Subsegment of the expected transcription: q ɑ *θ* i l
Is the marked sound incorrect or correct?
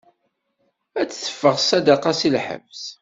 incorrect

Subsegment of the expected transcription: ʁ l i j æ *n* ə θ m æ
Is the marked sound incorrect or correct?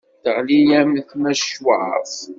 incorrect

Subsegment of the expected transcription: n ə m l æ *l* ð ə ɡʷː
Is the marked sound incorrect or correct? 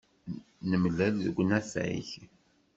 correct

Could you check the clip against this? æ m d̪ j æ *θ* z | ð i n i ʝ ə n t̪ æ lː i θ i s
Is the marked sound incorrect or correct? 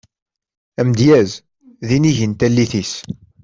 incorrect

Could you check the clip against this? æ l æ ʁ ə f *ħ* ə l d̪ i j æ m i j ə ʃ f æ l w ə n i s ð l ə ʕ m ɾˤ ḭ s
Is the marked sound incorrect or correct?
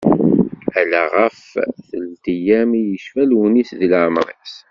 incorrect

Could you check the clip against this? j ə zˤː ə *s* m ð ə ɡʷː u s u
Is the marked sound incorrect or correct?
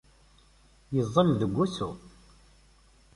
incorrect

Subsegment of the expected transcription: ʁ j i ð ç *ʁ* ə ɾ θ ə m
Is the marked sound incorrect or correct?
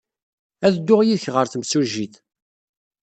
correct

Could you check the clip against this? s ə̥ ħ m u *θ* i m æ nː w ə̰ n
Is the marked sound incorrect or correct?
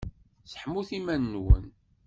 correct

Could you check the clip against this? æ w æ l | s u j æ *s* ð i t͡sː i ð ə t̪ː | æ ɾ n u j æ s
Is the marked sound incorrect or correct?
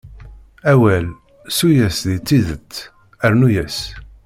correct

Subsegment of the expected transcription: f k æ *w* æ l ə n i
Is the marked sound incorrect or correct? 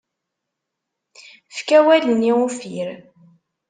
correct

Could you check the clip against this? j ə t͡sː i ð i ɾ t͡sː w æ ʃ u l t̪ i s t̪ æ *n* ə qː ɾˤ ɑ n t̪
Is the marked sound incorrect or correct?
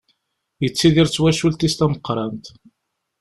incorrect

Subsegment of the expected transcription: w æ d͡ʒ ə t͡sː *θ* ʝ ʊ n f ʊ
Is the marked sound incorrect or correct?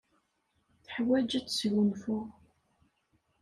incorrect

